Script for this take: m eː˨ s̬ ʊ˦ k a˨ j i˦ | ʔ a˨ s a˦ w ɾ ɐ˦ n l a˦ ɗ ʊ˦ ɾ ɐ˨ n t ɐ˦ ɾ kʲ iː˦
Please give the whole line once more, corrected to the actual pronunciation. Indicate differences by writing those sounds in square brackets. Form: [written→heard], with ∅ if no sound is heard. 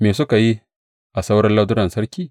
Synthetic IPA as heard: m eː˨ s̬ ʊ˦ k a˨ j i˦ | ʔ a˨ s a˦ w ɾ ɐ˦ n l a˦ [ɗ→d] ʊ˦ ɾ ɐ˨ n [t→s] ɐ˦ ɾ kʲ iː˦